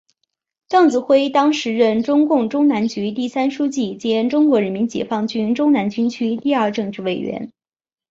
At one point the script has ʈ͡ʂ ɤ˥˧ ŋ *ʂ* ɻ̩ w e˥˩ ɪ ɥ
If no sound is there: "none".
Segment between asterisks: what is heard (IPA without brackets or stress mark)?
ʈ͡ʂ